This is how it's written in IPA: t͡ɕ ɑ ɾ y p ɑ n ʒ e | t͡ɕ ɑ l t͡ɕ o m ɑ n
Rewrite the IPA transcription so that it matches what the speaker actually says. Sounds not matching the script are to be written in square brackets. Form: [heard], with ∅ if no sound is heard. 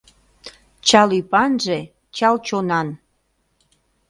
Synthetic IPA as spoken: t͡ɕ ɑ [l] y p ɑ n ʒ e | t͡ɕ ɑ l t͡ɕ o [n] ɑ n